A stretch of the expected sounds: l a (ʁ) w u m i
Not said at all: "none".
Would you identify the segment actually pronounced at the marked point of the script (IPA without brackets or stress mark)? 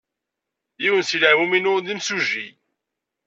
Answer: ʕ